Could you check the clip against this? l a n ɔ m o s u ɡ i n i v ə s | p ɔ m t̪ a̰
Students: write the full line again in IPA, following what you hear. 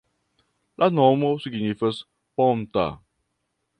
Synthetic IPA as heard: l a n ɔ m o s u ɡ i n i f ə s | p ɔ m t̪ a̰